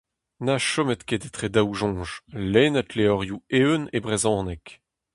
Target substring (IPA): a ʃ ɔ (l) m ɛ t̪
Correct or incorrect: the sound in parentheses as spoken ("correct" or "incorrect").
incorrect